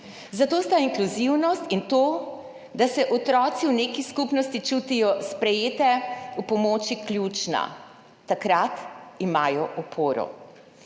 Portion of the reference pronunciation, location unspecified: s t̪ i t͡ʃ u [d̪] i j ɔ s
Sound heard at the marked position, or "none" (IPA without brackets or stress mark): t̪